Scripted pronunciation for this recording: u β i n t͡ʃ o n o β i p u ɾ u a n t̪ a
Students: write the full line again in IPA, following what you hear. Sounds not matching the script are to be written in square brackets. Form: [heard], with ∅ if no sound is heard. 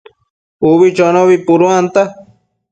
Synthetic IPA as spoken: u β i [∅] t͡ʃ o n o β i p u ɾ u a n t̪ a

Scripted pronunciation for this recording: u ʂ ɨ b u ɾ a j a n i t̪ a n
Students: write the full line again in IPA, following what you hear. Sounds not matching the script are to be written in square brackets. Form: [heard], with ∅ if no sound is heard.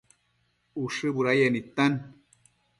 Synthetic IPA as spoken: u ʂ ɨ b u ɾ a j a n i t̪ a n

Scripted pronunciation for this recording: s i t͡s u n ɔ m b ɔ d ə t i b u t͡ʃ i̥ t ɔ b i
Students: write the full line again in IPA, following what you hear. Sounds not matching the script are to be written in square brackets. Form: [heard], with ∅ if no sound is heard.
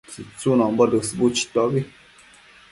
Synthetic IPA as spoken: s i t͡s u n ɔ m b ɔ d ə [s] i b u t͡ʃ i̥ t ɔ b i

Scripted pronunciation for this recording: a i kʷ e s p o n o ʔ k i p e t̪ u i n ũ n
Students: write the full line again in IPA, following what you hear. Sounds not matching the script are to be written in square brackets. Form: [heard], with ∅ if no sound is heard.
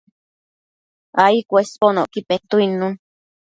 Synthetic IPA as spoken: a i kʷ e s p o n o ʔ k i p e t̪ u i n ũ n

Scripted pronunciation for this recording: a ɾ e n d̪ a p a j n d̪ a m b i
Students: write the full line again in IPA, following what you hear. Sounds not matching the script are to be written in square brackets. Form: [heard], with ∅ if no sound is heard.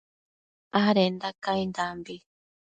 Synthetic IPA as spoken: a ɾ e n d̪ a [k] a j n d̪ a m b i

